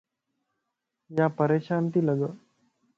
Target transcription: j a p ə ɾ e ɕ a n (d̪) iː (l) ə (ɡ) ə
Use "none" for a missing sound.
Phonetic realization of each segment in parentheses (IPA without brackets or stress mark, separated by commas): t̪, l, ɡ